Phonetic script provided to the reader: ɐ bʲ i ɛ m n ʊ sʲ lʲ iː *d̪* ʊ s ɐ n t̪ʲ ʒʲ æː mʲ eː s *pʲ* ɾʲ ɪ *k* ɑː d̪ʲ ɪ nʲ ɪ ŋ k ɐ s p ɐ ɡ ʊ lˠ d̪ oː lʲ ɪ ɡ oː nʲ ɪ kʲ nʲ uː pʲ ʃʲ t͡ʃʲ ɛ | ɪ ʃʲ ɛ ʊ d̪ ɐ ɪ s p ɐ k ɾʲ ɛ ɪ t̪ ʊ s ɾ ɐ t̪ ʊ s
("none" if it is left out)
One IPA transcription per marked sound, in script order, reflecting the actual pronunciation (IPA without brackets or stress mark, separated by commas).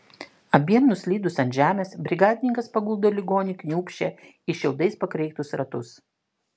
d̪, bʲ, ɡ